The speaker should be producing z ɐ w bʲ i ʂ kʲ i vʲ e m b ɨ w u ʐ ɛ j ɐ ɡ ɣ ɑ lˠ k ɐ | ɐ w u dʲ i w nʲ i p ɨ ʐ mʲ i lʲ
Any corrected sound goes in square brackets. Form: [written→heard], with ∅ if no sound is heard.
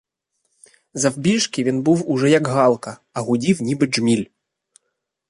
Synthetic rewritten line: z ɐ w bʲ i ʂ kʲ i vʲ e [m→n] b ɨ w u ʐ ɛ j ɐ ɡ ɣ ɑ lˠ k ɐ | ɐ [w→ɣ] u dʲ i w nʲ i [p→b] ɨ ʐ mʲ i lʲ